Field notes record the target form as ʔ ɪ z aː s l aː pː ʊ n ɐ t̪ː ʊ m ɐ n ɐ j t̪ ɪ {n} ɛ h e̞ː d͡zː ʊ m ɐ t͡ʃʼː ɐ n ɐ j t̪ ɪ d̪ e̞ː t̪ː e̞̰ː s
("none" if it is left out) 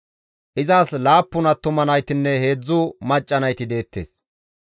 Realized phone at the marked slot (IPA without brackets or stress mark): nː